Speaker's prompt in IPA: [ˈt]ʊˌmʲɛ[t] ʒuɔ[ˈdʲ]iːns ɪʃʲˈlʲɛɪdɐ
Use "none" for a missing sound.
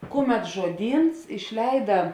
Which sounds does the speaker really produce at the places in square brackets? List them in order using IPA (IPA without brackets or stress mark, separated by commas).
k, t, dʲ